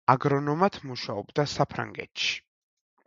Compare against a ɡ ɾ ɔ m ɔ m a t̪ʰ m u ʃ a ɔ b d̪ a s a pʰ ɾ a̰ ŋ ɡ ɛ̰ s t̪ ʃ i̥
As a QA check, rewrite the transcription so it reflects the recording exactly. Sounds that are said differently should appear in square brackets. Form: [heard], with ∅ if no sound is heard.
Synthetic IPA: a ɡ ɾ ɔ [n] ɔ m a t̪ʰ m u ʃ a ɔ b d̪ a s a pʰ ɾ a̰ ŋ ɡ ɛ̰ [∅] t̪ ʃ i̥